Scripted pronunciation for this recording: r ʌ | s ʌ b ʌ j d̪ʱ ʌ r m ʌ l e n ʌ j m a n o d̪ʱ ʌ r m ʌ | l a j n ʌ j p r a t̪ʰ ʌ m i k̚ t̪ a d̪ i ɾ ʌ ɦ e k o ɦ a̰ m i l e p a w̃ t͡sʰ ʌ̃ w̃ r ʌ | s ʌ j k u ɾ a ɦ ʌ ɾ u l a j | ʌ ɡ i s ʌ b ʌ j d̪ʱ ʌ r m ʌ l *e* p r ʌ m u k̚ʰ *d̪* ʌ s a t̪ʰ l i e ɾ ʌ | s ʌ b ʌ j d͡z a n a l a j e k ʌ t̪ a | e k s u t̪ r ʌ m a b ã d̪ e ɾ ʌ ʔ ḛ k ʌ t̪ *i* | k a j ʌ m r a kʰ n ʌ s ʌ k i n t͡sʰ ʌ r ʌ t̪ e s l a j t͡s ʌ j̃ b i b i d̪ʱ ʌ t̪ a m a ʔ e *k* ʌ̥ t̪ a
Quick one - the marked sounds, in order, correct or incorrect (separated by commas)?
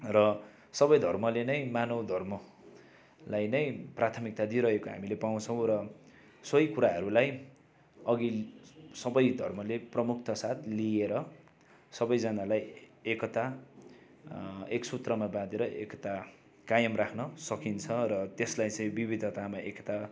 correct, incorrect, incorrect, correct